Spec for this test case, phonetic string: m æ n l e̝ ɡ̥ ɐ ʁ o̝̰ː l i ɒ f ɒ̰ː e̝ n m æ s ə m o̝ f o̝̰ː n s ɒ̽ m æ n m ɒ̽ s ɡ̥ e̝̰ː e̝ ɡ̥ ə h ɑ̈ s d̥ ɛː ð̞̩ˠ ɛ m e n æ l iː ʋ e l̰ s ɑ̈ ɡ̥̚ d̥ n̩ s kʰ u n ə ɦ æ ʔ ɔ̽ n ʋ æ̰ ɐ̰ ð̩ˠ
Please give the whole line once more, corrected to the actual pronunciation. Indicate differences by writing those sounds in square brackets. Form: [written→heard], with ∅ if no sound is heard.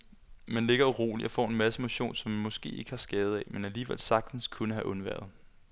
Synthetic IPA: m æ n l e̝ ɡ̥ ɐ ʁ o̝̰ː l i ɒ f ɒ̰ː e̝ n m æ s ə m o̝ [f→ɕ] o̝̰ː n s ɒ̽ m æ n m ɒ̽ s ɡ̥ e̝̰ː e̝ ɡ̥ ə h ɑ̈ s [d̥→ɡ̥] ɛː ð̞̩ˠ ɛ m e n æ l iː ʋ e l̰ s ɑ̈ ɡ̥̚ d̥ n̩ s kʰ u n ə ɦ æ ʔ ɔ̽ n ʋ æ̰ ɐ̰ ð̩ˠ